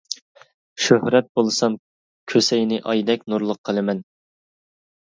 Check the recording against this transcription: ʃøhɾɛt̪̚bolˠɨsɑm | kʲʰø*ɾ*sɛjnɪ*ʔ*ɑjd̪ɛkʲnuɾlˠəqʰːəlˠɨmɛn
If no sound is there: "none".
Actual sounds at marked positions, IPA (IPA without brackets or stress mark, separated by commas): none, ʔ